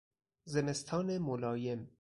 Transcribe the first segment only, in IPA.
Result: z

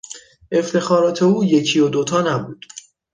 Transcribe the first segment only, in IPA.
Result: e̞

